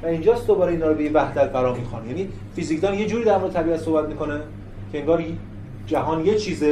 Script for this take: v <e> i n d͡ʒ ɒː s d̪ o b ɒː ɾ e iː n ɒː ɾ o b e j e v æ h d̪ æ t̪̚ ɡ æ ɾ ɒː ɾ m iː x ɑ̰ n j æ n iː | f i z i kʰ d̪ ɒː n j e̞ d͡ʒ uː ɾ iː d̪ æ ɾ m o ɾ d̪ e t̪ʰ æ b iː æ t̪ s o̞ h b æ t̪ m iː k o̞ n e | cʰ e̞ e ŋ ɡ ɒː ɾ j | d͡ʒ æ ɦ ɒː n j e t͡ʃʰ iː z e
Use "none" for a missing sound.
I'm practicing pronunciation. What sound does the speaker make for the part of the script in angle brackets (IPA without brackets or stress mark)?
æ